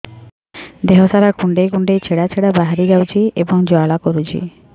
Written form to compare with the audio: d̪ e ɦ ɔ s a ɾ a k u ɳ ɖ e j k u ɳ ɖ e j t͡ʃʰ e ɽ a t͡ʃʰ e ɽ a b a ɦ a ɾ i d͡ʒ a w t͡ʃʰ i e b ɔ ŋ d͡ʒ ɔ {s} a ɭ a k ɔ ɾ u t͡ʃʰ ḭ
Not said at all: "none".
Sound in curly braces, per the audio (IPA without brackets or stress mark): none